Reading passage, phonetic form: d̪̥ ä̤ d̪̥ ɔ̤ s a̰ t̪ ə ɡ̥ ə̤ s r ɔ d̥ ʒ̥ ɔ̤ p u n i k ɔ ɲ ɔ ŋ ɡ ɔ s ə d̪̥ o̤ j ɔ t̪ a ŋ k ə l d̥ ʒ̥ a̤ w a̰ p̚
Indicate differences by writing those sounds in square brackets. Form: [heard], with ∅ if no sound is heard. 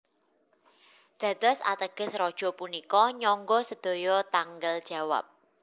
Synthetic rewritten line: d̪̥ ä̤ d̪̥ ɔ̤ s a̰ t̪ ə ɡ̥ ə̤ s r ɔ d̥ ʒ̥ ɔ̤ p u n i k ɔ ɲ ɔ ŋ ɡ ɔ s ə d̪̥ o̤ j ɔ t̪ a ŋ [ɡ] ə l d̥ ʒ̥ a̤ w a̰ p̚